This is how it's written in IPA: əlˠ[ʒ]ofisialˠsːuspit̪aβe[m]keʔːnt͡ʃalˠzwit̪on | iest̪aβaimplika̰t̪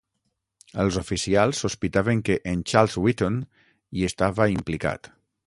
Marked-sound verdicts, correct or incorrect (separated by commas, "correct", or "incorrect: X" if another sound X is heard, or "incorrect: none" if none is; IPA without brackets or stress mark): incorrect: z, incorrect: ŋ